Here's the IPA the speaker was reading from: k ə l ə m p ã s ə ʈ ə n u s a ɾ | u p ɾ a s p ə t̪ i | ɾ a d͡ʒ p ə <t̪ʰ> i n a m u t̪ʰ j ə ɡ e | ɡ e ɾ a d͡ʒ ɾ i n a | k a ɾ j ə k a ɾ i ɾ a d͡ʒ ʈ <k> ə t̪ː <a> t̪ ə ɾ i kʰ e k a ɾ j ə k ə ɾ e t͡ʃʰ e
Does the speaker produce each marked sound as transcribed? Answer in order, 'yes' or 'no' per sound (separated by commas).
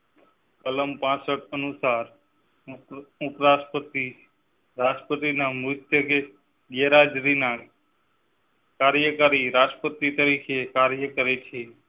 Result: no, no, no